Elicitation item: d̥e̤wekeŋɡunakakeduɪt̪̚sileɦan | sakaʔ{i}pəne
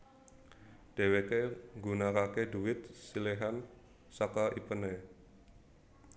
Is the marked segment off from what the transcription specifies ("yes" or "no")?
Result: no